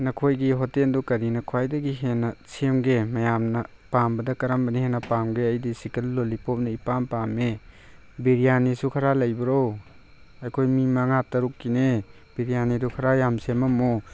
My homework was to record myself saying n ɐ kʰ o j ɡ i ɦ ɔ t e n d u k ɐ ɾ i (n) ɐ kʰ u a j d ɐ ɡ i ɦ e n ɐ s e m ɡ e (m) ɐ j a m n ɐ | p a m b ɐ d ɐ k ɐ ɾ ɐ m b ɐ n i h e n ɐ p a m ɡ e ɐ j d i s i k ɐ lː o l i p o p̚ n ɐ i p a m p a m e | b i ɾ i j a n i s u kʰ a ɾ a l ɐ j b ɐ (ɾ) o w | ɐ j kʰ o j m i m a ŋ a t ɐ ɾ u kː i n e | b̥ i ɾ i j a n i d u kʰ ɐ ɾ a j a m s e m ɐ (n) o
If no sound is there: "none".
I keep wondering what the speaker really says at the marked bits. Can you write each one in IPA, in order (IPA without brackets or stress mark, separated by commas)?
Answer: n, m, ɾ, m